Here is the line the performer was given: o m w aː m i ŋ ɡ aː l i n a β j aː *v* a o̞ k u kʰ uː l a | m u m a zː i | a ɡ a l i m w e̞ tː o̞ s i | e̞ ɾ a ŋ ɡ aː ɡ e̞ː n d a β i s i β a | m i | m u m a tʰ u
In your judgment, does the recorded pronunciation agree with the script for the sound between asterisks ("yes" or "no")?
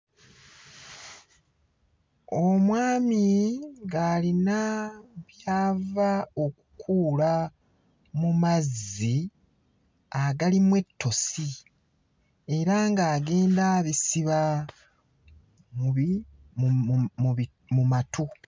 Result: yes